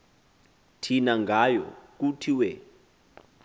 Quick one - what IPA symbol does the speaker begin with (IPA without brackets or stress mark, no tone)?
tʰ